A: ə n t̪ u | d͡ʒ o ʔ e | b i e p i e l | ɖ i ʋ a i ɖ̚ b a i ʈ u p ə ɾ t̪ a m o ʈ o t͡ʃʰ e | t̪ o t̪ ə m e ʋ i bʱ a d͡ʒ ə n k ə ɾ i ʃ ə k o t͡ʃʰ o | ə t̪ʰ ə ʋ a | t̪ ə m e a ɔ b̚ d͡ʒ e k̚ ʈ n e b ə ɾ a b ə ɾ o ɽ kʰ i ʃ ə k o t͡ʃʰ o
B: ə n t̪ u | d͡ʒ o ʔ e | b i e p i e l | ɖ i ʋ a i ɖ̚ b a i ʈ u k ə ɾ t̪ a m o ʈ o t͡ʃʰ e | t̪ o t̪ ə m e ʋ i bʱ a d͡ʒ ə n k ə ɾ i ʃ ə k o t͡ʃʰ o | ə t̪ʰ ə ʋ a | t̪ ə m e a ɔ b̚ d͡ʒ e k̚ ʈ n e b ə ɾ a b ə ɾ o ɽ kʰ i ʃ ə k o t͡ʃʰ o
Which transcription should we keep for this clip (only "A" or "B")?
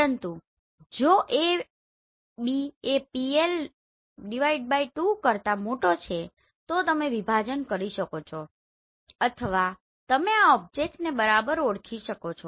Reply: B